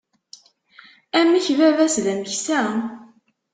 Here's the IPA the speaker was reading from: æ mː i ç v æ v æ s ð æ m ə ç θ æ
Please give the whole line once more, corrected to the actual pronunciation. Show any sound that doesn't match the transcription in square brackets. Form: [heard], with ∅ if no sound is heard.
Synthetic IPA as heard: æ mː i ç v æ v æ s ð æ m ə ç [s] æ